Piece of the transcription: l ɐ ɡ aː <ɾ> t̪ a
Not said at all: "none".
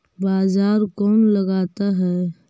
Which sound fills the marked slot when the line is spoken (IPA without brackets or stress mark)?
none